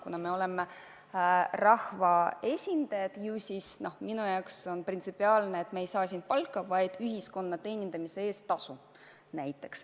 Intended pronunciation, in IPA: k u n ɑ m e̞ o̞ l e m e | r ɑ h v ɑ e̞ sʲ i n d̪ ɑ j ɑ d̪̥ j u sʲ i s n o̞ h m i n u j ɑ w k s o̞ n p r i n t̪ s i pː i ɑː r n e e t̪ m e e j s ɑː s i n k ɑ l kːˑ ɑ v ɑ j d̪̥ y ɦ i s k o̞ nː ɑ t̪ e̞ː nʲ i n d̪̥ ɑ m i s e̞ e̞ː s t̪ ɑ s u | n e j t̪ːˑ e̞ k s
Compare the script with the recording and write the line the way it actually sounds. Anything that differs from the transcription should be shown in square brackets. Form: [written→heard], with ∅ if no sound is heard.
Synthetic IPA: k u n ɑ m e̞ o̞ l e m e | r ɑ h v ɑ e̞ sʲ i n d̪ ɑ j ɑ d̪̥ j u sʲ i s n o̞ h m i n u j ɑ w k s o̞ n p r i n t̪ s i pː i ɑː [r→l] n e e t̪ m e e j s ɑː s i n [k→p] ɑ l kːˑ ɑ v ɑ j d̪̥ y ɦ i s k o̞ nː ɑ t̪ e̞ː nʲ i n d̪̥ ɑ m i s e̞ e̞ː s t̪ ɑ s u | n [e→æ] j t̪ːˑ e̞ k s